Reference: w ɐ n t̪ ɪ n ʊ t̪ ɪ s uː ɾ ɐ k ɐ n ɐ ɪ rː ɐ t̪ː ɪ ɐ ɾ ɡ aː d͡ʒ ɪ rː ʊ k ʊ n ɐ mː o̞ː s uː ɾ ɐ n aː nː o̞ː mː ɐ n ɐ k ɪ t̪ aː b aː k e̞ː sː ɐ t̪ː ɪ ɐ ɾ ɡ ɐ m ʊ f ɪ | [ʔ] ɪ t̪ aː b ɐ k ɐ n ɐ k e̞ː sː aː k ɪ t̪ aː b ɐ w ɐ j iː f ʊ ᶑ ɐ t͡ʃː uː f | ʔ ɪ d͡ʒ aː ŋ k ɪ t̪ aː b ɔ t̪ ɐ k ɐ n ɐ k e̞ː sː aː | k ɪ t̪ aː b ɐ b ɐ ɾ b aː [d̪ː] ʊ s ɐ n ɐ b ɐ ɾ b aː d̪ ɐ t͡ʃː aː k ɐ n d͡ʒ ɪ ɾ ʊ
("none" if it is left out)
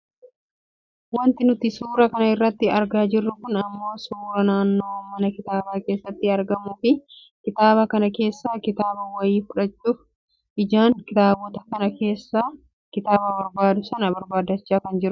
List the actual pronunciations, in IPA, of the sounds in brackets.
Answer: k, d̪

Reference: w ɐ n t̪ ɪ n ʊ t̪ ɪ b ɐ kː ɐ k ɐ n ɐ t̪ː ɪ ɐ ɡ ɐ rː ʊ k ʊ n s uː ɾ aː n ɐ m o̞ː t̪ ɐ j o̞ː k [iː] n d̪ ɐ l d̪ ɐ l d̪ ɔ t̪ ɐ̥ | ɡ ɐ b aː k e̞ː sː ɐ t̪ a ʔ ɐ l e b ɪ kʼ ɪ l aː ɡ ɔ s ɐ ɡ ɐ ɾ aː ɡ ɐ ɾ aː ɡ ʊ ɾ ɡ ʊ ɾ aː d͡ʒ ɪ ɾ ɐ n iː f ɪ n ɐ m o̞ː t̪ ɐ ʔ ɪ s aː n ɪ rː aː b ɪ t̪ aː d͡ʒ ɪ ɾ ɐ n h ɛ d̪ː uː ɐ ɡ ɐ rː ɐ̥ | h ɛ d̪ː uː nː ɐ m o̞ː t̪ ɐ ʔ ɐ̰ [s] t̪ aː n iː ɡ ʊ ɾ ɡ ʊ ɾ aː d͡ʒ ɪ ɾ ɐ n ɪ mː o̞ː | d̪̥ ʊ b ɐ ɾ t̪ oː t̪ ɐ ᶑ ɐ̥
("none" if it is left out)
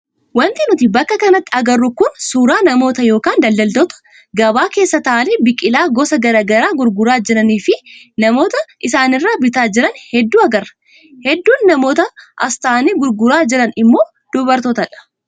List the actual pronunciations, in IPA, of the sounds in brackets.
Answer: aː, s

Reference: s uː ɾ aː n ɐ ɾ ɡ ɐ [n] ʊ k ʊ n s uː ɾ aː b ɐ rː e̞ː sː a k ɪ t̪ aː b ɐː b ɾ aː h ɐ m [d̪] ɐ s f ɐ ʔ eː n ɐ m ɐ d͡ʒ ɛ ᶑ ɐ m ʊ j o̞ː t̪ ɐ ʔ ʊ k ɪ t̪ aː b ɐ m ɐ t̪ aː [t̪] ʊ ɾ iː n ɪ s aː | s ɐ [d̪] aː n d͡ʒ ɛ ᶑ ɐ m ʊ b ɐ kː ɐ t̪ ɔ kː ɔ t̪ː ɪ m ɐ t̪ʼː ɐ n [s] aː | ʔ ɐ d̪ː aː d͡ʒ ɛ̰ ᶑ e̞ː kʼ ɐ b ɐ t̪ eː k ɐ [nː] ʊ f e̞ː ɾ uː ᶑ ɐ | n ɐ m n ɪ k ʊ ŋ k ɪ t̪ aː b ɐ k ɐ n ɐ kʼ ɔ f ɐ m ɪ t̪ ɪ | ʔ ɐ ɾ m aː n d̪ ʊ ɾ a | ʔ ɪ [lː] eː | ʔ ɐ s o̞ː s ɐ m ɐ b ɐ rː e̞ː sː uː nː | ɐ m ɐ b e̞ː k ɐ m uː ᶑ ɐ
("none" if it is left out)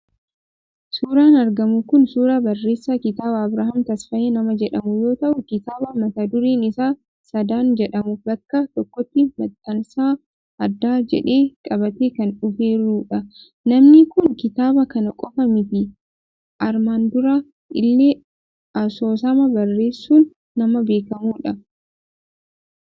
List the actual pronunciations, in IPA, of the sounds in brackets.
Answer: m, t̪, d̪, d̪, s, n, lː

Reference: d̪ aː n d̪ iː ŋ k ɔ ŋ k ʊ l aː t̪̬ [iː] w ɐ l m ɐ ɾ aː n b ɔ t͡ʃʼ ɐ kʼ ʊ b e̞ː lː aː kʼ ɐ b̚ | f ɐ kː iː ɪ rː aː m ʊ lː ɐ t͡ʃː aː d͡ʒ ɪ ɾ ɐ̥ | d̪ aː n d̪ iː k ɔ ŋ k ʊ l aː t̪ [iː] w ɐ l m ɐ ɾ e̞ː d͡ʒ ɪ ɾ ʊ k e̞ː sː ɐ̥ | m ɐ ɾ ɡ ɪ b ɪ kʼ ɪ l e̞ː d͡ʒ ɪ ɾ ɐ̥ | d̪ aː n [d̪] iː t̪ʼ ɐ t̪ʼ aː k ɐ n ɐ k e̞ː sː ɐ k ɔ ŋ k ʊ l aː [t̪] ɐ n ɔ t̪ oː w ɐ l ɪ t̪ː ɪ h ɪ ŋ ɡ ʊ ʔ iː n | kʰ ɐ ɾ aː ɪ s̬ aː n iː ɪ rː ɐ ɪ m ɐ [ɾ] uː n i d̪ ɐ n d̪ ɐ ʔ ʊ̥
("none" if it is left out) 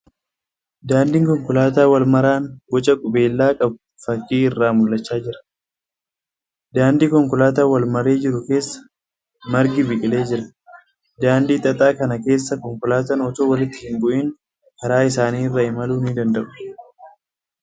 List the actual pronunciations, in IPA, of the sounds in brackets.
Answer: aː, aː, d̪, t̪, l

